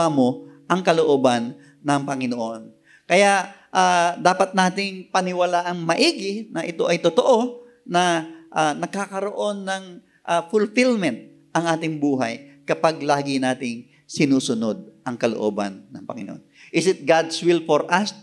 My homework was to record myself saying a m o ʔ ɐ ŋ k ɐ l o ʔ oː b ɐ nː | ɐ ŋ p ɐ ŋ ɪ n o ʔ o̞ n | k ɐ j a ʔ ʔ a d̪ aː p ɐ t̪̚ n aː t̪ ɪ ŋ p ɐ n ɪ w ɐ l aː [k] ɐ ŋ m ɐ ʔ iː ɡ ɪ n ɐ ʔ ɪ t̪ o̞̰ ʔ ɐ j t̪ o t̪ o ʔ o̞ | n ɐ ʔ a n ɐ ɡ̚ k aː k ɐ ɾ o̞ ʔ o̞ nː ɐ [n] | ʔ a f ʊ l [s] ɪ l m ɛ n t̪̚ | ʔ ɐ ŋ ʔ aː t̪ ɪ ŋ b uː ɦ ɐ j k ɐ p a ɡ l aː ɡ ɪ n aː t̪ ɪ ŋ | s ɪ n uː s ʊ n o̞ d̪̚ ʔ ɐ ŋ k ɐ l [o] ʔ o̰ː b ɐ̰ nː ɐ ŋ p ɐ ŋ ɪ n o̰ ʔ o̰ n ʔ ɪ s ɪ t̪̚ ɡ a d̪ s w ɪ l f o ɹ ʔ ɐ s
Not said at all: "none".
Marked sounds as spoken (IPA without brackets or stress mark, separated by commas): ʔ, ŋ, f, o